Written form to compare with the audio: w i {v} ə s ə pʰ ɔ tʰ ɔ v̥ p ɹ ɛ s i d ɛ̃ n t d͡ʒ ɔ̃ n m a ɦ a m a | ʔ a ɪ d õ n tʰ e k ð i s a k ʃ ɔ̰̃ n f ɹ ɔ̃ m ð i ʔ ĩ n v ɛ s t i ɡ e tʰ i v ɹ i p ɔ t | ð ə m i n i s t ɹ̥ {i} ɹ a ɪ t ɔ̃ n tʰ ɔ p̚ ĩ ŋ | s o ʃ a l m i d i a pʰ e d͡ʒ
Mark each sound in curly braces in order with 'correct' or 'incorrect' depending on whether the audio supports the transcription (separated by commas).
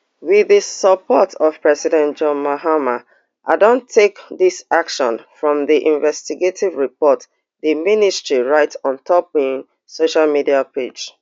incorrect, correct